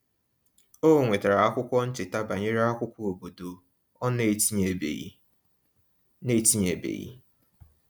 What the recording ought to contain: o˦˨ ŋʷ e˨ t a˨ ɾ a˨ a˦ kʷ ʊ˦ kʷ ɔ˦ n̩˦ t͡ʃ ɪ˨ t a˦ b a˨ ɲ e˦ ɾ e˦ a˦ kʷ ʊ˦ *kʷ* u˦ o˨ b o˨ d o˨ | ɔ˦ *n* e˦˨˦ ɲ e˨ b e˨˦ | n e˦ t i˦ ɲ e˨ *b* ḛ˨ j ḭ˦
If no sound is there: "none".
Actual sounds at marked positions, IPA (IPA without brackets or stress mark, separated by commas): kʷ, n, b